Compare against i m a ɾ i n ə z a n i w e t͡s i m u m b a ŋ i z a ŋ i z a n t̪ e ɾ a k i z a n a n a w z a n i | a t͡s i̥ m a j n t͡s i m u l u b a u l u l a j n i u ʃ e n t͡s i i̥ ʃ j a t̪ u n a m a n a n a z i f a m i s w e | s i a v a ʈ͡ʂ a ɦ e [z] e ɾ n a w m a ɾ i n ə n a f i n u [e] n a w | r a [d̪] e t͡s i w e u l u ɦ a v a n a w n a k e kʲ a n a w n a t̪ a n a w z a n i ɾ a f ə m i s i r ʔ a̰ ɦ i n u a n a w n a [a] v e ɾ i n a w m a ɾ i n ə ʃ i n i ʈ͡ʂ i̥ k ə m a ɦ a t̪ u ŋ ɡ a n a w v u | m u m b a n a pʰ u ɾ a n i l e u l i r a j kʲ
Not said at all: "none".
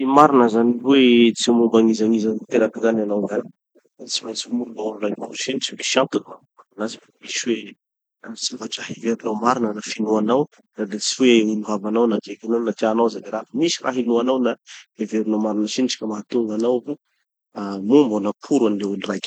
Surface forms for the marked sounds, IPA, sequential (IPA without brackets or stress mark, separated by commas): v, a, d̪, e